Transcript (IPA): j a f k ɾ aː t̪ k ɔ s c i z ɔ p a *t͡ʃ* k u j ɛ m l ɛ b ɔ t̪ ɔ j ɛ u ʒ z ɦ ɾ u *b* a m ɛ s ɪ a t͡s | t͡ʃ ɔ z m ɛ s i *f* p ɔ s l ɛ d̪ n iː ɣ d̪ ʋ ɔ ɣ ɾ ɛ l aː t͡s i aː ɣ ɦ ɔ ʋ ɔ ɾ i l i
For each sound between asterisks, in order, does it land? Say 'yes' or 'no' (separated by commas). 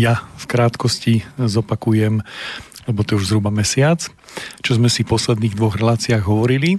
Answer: no, yes, yes